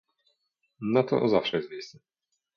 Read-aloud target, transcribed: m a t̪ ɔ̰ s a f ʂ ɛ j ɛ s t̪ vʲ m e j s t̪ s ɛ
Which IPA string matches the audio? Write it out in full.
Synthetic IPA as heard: n a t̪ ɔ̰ z a f ʂ ɛ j ɛ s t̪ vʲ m e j s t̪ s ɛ